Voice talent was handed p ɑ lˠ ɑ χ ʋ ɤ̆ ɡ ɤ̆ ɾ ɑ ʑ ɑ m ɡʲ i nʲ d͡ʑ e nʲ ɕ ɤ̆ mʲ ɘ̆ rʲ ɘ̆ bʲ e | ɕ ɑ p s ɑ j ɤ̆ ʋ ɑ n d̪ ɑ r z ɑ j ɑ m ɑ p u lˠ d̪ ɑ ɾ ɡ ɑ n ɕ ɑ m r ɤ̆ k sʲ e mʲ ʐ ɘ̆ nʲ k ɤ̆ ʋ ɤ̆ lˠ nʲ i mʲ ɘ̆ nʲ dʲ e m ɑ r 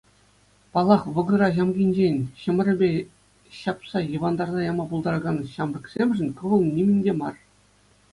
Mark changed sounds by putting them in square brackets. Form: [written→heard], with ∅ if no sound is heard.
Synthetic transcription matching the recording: p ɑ lˠ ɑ χ ʋ ɤ̆ ɡ ɤ̆ ɾ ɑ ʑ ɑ m ɡʲ i nʲ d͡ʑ e nʲ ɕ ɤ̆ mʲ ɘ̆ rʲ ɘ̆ bʲ e | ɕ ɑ p s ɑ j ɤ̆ ʋ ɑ n d̪ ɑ r z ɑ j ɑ m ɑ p u lˠ d̪ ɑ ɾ ɡ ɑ n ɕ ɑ m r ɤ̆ k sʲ e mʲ ʐ ɘ̆ nʲ k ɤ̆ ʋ ɤ̆ lˠ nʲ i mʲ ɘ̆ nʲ dʲ e m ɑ r